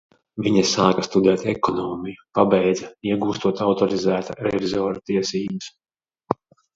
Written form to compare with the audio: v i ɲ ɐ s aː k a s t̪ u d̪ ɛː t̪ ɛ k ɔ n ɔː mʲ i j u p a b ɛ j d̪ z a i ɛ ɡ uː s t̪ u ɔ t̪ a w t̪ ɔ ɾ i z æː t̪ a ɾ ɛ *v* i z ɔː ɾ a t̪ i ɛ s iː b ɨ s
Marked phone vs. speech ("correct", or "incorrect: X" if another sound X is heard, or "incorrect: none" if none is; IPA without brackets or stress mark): correct